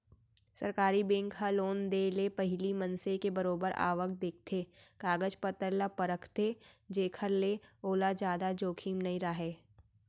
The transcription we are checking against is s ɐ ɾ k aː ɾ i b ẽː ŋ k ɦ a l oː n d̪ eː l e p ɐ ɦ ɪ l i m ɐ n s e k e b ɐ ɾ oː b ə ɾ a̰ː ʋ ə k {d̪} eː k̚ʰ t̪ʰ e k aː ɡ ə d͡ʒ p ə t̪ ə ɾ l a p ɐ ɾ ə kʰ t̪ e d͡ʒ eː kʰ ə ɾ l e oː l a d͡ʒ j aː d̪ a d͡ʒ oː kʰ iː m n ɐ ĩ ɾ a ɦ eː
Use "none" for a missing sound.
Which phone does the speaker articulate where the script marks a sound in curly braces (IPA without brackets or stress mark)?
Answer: d̪